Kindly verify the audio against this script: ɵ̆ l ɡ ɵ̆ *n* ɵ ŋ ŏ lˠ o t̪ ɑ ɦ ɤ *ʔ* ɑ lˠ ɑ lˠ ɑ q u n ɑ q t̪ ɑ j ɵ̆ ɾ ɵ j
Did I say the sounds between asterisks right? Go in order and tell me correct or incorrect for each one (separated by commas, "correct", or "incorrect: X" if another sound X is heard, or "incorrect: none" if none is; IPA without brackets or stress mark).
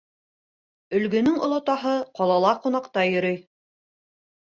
correct, incorrect: q